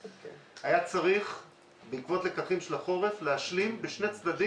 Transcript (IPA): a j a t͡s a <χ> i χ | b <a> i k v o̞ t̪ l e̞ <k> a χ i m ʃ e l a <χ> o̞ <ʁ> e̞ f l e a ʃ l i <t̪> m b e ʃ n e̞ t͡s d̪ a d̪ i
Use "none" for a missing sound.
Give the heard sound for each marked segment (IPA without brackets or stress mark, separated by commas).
ʁ, e, k, χ, ʁ, none